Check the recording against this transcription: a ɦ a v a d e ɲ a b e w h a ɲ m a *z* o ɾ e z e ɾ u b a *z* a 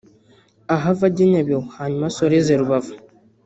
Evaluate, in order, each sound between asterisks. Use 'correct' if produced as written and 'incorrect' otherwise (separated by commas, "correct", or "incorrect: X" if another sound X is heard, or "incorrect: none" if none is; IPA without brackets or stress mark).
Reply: incorrect: s, incorrect: v